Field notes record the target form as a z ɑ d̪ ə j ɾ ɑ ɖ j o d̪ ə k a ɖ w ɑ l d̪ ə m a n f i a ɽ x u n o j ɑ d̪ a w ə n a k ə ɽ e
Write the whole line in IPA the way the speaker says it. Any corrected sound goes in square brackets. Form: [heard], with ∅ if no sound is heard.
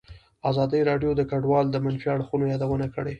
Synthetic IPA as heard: a z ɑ d̪ ə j ɾ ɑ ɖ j o d̪ ə k a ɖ w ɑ l d̪ ə m a n f i a ɽ x u n o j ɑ d̪ a w ə n a k ə ɽ e